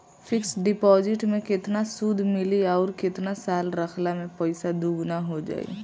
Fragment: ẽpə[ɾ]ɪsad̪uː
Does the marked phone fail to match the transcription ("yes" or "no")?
yes